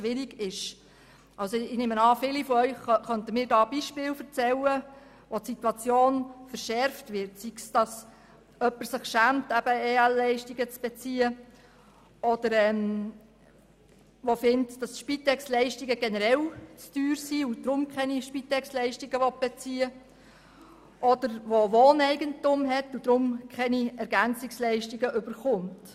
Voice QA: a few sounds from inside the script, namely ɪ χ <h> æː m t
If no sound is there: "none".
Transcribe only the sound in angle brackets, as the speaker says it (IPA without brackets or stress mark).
ʃ